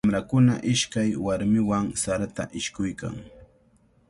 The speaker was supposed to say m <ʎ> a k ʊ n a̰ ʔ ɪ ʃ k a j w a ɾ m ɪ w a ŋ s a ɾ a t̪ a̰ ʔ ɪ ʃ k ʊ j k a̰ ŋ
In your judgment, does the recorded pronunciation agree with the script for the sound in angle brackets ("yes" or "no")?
no